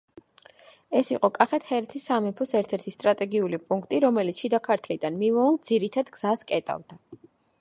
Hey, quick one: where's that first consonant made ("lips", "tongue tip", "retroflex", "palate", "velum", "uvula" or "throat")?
tongue tip